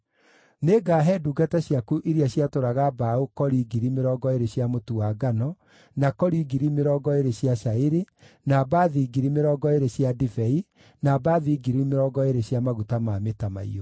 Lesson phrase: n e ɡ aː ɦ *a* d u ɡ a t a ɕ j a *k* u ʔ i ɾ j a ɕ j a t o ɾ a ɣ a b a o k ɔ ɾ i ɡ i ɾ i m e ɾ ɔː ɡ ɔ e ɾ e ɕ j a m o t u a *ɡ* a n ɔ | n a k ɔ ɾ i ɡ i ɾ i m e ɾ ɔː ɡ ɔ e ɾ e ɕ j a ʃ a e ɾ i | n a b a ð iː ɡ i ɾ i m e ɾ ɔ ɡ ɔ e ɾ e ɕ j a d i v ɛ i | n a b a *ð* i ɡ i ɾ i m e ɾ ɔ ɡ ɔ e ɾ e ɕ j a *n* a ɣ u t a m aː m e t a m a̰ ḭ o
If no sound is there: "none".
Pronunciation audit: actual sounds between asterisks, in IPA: ɛ, k, ɡ, ð, m

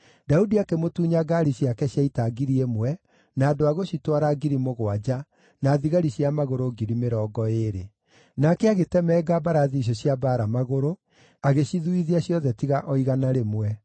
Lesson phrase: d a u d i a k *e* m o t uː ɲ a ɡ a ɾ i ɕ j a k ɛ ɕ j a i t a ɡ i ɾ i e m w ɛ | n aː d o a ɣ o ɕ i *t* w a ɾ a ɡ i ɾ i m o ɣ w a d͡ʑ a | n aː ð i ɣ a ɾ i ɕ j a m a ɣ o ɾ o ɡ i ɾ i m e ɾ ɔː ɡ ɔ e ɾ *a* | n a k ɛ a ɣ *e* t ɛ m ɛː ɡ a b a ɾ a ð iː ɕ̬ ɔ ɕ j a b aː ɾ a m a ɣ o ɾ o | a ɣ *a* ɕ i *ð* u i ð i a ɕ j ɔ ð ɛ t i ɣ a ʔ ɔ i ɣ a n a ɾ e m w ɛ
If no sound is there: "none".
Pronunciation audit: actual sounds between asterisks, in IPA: e, t, e, e, e, ð

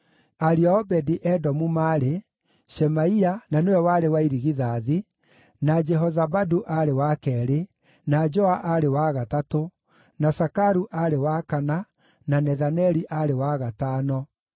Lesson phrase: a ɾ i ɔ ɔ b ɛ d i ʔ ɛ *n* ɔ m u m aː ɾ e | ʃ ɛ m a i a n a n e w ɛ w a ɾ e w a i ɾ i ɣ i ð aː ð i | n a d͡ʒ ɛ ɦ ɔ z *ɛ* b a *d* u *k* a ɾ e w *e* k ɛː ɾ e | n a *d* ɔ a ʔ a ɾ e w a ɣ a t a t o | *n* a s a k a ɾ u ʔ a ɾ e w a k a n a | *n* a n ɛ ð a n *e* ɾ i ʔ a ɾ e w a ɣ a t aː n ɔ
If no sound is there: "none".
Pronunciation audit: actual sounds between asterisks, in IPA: d, a, d, ʔ, a, d͡ʒ, n, n, ɛ

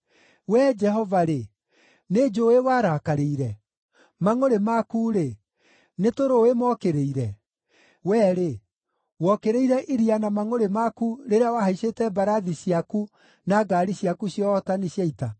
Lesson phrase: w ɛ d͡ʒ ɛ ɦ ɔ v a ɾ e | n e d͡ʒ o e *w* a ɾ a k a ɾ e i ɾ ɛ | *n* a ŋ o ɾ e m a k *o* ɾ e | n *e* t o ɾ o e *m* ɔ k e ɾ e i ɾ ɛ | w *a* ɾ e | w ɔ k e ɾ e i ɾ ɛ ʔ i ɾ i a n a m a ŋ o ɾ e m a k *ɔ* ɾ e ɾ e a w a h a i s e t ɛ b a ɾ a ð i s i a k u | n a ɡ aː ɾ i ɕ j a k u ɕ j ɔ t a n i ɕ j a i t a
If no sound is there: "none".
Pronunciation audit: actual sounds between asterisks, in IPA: w, m, u, e, m, ɛ, u

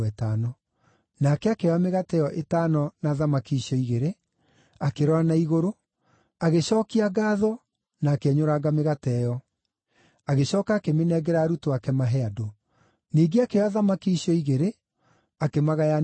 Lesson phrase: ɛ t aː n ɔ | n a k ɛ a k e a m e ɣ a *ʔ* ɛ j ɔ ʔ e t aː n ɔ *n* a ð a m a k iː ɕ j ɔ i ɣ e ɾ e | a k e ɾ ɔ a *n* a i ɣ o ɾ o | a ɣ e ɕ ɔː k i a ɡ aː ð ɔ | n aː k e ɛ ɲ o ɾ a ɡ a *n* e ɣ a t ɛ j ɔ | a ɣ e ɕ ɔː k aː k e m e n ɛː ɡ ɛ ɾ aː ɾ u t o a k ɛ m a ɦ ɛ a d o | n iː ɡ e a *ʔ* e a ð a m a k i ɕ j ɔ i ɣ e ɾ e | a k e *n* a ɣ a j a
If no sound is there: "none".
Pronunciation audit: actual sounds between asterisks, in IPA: t, n, n, m, k, m

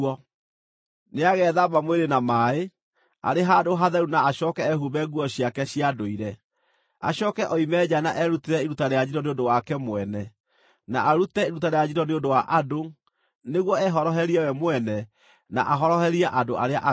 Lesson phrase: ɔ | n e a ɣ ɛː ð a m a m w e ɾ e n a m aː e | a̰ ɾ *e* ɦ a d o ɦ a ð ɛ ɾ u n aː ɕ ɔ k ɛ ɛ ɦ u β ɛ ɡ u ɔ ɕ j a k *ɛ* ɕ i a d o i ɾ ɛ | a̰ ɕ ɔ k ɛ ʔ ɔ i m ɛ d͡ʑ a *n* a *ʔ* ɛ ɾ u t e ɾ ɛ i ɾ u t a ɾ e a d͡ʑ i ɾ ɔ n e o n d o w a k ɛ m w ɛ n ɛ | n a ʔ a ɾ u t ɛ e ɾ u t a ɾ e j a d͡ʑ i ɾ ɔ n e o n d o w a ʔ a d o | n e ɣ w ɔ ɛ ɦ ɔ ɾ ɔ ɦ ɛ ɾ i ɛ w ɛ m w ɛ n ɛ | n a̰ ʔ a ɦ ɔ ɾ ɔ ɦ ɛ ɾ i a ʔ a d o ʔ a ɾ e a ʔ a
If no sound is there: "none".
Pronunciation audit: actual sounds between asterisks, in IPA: e, ɛ, n, ʔ

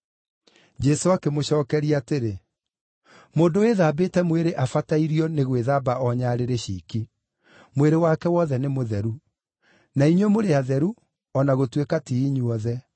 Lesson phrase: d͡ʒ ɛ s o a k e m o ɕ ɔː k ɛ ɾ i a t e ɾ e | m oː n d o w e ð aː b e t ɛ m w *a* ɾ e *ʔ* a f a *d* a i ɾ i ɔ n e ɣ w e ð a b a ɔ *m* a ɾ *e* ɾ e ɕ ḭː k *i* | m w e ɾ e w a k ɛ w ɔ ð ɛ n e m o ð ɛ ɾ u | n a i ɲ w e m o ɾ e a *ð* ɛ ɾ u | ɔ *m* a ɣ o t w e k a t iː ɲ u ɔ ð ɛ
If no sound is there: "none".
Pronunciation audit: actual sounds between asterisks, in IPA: e, ʔ, t, ɲ, e, i, ð, n

